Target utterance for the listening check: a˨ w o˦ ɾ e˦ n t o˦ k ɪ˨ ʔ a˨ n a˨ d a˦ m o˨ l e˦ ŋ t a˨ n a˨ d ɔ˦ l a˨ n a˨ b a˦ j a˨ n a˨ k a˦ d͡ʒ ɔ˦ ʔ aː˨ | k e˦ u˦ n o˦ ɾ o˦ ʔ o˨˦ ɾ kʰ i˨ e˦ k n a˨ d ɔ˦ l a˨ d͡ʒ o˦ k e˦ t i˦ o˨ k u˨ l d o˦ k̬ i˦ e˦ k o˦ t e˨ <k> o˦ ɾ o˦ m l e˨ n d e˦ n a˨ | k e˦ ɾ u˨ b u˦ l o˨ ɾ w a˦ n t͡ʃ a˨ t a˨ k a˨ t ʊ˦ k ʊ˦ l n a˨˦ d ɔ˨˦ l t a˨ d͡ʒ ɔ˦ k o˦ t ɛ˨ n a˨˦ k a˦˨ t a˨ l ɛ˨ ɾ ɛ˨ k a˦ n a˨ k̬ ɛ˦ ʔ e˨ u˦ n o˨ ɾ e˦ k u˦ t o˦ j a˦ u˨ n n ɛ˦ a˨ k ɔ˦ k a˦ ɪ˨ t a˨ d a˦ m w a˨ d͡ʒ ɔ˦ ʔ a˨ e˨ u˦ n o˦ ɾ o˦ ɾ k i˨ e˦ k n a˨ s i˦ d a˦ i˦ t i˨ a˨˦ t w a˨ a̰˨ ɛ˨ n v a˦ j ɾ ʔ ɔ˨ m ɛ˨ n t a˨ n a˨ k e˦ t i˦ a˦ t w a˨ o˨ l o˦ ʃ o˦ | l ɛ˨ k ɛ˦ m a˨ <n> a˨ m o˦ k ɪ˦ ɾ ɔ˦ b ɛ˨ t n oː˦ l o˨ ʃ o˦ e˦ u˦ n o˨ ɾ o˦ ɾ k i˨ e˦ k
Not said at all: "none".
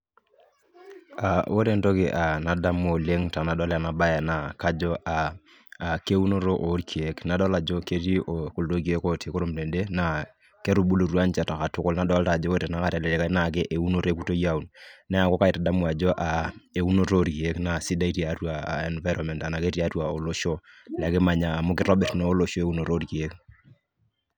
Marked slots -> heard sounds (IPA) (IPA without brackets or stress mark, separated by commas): k, ɲ